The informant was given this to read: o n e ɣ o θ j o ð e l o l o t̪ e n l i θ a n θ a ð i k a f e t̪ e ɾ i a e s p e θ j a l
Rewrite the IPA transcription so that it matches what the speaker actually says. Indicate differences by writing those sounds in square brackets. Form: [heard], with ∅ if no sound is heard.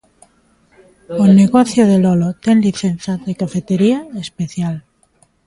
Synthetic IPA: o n e ɣ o θ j o ð e l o l o t̪ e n l i θ [e] n θ a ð [e] k a f e t̪ e ɾ i a e s p e θ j a l